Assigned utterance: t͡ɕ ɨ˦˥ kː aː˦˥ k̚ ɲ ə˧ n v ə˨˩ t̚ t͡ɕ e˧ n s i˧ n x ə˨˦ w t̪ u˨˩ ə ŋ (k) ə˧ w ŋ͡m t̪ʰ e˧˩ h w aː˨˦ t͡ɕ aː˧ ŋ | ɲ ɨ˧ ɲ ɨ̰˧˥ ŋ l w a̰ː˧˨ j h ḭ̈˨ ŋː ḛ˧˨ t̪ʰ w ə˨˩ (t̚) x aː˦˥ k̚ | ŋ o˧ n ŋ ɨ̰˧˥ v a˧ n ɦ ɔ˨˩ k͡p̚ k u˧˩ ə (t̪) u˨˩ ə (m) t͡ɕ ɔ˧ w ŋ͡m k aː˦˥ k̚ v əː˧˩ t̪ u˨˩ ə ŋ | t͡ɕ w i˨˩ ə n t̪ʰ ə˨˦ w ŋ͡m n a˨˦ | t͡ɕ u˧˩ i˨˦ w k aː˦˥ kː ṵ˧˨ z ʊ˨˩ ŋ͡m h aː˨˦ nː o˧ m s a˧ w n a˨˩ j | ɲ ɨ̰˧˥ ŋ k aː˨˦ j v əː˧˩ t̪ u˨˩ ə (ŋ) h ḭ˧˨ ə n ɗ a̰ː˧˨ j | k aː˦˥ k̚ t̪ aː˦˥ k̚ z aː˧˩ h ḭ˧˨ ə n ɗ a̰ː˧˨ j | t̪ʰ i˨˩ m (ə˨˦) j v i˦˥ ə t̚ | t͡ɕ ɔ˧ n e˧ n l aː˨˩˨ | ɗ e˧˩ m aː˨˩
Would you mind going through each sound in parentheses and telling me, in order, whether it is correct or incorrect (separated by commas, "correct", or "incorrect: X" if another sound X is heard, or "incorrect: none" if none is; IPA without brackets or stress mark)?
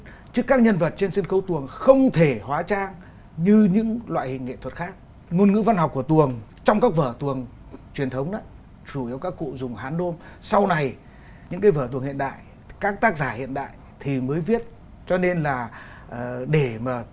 incorrect: x, correct, correct, incorrect: ŋ, correct, incorrect: əː˨˦